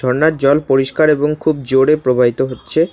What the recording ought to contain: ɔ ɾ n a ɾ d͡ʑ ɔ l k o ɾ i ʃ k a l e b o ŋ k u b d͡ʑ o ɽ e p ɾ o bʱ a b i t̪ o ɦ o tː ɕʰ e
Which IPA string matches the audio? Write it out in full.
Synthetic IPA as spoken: ɔ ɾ n a ɾ d͡ʑ ɔ l p o ɾ i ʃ k a ɾ e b o ŋ kʰ u b d͡ʑ o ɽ e p ɾ o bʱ a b i t̪ o ɦ o tː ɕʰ e